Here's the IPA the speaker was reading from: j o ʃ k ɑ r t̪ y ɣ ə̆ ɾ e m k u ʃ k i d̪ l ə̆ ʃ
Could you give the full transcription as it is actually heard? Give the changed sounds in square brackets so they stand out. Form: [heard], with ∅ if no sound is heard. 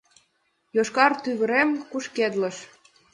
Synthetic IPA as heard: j o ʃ k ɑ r t̪ y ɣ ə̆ ɾ e m k u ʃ k [e] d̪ l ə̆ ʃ

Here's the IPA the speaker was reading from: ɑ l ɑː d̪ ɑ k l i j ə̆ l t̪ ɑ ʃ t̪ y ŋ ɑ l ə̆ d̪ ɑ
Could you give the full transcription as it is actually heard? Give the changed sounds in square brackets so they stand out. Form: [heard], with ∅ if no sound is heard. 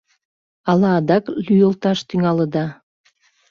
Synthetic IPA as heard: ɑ l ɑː d̪ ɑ k l [y] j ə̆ l t̪ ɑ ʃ t̪ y ŋ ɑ l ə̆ d̪ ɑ

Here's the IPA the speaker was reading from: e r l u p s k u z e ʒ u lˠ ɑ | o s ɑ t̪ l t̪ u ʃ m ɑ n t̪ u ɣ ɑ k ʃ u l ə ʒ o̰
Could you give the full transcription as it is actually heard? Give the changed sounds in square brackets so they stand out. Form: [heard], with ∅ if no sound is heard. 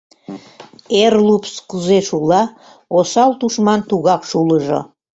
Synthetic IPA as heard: e r l u p s k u z e [ʃ] u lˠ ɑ | o s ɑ [∅] l t̪ u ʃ m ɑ n t̪ u ɣ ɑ k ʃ u l ə ʒ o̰

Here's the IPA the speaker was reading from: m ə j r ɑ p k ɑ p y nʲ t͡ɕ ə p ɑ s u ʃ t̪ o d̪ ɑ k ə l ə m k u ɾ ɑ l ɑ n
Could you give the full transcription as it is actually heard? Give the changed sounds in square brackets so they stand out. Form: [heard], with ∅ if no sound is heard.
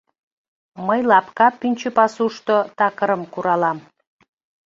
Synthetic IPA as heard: m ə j [l] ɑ p k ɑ p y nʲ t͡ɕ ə p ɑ s u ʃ t̪ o [t̪] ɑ k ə [ɾ] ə m k u ɾ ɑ l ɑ [m]

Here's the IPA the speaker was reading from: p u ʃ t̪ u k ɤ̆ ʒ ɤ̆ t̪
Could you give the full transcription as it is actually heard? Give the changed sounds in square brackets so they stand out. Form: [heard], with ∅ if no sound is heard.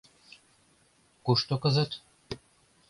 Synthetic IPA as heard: [k] u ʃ t̪ [o] k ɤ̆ [z] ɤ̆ t̪

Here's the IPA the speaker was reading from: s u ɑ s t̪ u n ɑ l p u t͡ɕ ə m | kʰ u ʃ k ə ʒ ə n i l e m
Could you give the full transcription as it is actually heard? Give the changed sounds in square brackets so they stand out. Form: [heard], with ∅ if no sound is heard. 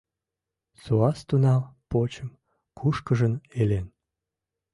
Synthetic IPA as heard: s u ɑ s t̪ u n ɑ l p [o] t͡ɕ ə m | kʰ u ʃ k ə ʒ ə n [e] l e [n]

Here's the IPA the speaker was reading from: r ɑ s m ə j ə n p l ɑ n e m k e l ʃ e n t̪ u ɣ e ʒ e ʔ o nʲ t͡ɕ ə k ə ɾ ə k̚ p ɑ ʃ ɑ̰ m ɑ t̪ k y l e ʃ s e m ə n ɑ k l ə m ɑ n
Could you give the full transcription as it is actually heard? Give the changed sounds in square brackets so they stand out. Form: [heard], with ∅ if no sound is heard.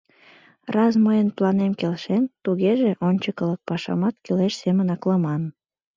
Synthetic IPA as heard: r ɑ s m ə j ə n p l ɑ n e m k e l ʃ e n t̪ u ɣ e ʒ e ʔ o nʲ t͡ɕ ə k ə [l] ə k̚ p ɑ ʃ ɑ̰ m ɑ t̪ k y l e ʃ s e m ə n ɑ k l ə m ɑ n

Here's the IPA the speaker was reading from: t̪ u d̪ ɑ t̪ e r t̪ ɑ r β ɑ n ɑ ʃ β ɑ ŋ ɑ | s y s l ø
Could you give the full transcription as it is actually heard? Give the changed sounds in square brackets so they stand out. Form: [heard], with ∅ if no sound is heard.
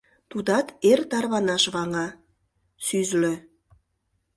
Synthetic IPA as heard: t̪ u d̪ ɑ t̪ e r t̪ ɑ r β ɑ n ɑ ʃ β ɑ ŋ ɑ | s y [z] l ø

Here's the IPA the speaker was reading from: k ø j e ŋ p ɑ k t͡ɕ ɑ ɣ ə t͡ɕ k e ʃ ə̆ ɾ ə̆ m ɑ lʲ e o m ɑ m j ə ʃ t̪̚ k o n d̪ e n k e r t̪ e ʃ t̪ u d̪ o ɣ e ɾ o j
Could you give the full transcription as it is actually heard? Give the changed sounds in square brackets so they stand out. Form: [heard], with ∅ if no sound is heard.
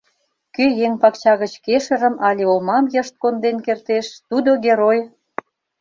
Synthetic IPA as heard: k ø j e ŋ p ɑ k t͡ɕ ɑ ɣ ə t͡ɕ k e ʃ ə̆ ɾ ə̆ m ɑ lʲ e o m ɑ m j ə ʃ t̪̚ k o n d̪ e n k e r t̪ e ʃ t̪ u d̪ o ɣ e ɾ o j

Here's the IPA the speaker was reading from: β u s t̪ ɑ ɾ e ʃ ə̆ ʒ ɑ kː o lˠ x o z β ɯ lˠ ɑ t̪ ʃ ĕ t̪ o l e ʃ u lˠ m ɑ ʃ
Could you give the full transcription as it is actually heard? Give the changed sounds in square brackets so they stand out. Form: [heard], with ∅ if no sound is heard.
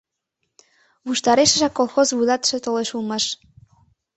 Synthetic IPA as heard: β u [ʃ] t̪ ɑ ɾ e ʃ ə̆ ʒ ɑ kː o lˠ x o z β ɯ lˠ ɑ t̪ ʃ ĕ t̪ o l e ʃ u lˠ m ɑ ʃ

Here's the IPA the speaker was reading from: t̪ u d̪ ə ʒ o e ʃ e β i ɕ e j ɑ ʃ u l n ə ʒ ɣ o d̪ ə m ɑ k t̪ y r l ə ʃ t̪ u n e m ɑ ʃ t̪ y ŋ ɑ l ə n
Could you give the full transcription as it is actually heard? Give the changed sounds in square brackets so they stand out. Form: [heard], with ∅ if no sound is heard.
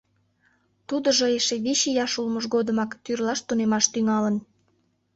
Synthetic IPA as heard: t̪ u d̪ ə ʒ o e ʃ e β i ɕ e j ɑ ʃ u l [m] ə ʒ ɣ o d̪ ə m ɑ k t̪ y r l [ɑ] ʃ t̪ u n e m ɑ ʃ t̪ y ŋ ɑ l ə n

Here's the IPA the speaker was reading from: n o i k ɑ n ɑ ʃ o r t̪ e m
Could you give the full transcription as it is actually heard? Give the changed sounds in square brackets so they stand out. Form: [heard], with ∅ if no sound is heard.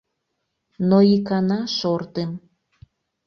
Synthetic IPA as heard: n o i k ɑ n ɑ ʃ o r t̪ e m

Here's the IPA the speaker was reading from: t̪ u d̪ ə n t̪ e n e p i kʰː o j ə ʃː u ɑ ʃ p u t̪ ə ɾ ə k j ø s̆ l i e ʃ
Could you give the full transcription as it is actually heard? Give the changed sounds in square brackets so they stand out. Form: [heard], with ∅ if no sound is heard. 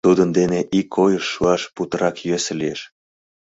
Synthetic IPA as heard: t̪ u d̪ ə n [d̪] e n e [ʔ] i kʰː o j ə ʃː u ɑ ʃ p u t̪ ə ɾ [ɑ] k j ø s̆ l i e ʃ

